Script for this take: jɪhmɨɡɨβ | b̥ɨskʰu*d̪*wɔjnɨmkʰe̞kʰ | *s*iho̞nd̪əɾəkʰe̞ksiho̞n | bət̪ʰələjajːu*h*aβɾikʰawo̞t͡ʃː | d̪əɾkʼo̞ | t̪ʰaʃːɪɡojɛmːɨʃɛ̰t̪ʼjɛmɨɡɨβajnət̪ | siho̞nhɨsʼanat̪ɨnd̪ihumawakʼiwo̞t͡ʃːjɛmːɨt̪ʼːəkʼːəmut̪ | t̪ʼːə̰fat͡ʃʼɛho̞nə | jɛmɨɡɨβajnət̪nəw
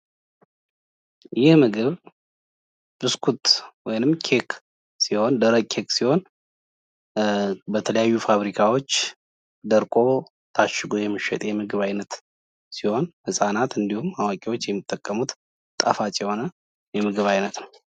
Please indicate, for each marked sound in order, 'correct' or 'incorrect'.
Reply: incorrect, correct, incorrect

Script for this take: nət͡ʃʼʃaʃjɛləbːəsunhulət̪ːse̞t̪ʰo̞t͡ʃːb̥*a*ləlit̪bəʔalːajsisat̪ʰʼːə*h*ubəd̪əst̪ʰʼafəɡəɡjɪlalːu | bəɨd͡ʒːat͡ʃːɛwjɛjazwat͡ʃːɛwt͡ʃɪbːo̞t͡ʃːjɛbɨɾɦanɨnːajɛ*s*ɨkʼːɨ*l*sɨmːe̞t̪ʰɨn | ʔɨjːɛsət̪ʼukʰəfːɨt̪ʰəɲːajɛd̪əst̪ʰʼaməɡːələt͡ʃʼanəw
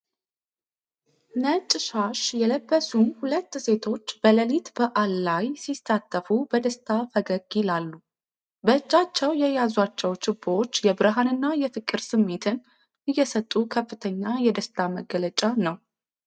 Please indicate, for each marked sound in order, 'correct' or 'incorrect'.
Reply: incorrect, incorrect, incorrect, incorrect

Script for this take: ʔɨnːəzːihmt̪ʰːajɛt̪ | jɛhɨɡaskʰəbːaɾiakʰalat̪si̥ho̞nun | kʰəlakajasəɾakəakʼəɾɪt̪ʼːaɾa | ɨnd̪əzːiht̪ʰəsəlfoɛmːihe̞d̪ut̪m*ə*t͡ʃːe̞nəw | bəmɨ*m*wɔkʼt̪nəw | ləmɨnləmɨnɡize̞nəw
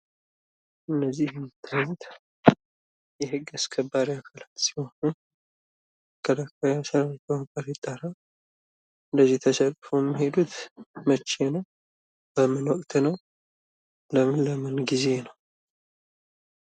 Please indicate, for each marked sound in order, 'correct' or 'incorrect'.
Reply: correct, incorrect

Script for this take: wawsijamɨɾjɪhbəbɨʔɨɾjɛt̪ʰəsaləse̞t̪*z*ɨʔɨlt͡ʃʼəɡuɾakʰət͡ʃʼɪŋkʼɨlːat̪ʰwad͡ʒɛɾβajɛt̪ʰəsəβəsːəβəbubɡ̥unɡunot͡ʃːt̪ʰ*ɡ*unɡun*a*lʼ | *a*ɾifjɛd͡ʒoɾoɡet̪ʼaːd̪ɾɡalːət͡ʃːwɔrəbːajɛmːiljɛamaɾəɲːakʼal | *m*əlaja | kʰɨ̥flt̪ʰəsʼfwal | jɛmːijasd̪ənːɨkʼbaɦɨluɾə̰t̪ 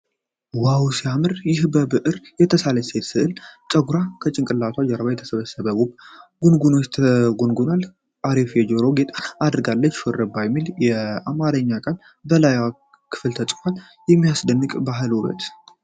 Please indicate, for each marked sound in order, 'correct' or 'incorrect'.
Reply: incorrect, correct, correct, correct, incorrect

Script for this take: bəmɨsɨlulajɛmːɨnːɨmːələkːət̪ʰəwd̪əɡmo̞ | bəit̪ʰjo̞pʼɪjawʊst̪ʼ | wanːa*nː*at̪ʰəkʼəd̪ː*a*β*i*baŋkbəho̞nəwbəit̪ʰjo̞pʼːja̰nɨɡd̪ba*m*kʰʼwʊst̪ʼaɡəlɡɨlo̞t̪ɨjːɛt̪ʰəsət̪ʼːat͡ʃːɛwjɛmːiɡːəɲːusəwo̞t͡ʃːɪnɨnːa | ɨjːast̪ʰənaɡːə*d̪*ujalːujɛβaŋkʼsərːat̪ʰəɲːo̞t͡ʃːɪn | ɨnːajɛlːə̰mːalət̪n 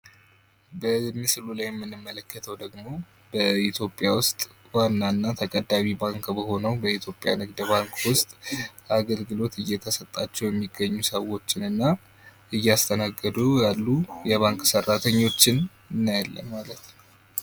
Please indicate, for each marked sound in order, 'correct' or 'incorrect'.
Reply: correct, correct, correct, incorrect, correct

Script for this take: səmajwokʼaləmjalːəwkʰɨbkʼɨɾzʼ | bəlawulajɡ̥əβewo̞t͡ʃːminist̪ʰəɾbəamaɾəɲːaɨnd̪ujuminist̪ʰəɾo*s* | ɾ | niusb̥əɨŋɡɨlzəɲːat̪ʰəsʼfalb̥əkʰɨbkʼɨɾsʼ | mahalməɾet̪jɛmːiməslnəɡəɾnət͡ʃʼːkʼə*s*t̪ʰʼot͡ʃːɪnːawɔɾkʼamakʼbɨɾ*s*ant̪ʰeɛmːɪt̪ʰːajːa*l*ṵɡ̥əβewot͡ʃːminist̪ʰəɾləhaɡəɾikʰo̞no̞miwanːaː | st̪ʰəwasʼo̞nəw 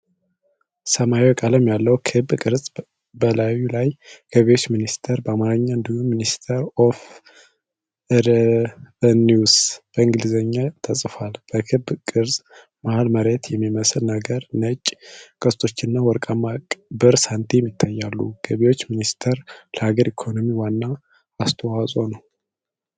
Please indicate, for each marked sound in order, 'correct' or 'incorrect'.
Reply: incorrect, correct, correct, incorrect

